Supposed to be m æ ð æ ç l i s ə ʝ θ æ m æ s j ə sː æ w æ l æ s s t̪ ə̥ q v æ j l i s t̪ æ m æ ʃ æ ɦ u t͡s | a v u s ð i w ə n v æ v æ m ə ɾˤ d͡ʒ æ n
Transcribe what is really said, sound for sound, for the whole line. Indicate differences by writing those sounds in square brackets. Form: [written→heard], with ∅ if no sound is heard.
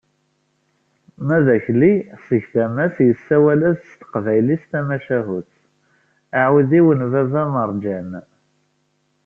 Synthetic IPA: m æ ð æ ç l i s ə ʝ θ æ m æ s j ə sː æ w æ l æ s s t̪ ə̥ q v æ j l i s t̪ æ m æ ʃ æ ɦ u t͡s | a [v→ʕ] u [s→∅] ð i w ə n v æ v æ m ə ɾˤ d͡ʒ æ n